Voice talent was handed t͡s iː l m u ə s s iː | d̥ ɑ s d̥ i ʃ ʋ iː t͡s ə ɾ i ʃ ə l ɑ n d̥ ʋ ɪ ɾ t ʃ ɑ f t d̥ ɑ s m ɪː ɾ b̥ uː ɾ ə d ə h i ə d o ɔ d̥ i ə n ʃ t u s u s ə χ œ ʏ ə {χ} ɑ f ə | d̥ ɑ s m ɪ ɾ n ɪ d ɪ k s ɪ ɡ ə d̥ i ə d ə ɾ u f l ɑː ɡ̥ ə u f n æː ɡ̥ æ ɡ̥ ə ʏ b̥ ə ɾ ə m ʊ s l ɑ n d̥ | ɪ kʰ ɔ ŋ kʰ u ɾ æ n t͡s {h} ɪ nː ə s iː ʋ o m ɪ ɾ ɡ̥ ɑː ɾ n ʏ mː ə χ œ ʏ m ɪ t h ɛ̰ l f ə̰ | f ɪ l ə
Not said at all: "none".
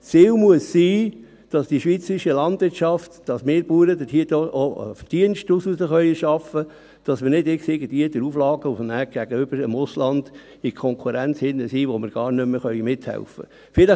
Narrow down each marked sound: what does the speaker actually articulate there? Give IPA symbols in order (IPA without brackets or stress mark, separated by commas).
ʃ, h